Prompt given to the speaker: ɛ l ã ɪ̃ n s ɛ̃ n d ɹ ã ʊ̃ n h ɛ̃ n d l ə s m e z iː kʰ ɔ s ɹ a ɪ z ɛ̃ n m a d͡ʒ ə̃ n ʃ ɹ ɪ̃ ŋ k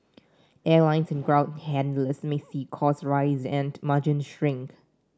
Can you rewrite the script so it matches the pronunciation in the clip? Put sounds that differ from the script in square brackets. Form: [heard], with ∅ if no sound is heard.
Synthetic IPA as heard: ɛ l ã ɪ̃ n s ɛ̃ n [ɡ] ɹ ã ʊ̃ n h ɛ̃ n d l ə s m e [s] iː kʰ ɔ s ɹ a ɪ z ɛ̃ n m a d͡ʒ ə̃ n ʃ ɹ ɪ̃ ŋ k